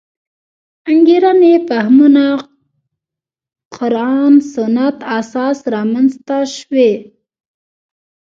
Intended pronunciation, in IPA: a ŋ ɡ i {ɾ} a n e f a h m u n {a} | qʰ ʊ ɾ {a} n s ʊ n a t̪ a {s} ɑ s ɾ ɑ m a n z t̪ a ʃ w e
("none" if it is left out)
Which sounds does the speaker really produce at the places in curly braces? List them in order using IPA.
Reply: ɾ, a, ɑ, s

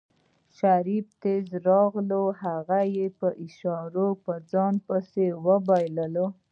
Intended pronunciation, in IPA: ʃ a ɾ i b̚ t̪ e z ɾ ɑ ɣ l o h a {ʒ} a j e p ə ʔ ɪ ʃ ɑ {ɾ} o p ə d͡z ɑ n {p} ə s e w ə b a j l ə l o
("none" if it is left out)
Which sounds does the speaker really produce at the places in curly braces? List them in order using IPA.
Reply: ɣ, ɾ, p

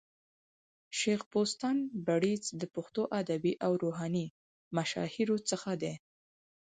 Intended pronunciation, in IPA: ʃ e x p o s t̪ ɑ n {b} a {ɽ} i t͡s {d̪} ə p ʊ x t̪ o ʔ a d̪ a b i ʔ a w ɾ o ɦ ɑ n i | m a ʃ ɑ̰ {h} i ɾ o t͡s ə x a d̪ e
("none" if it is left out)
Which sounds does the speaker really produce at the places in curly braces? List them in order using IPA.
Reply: b, ɽ, d̪, h

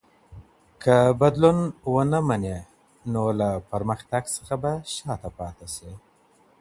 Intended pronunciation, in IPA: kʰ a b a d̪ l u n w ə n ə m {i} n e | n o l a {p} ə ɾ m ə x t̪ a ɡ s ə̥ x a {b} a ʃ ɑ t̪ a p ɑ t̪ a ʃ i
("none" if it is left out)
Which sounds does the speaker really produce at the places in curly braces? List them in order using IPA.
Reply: a, p, b

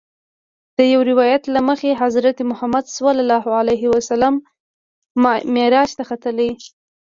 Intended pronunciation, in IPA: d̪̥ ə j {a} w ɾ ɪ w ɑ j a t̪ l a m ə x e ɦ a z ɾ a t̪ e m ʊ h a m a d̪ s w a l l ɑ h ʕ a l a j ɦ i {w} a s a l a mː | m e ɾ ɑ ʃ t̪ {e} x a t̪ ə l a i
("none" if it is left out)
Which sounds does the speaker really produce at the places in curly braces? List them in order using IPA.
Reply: a, w, a

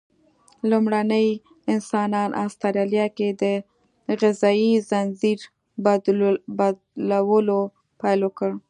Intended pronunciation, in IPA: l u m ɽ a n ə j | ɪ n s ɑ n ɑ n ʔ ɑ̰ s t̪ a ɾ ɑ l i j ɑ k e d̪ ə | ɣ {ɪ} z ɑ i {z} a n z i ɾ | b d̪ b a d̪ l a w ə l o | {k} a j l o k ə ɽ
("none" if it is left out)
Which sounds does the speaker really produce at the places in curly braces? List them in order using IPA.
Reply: ɪ, z, p

